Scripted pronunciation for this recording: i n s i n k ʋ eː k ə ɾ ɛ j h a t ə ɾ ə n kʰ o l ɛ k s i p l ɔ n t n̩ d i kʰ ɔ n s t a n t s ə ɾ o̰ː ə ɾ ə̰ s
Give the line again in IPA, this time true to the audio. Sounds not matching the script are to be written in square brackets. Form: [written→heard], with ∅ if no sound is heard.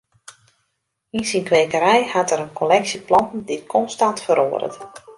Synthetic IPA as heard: i n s i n k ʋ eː k ə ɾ ɛ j h a t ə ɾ ə n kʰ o l ɛ k s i p l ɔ n t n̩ d i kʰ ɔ n s t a n t [s→f] ə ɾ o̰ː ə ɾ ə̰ [s→t]